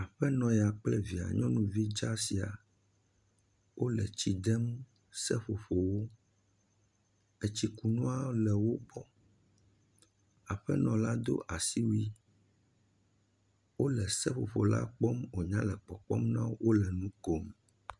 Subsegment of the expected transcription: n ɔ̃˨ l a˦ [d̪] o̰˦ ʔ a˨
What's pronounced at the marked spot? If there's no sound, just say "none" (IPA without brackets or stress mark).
d̪